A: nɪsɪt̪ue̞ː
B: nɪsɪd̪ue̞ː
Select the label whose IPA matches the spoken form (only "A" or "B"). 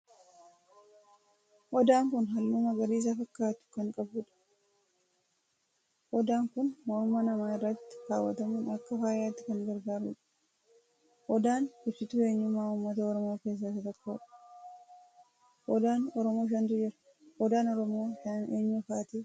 A